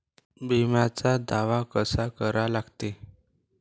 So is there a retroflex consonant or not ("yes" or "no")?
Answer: no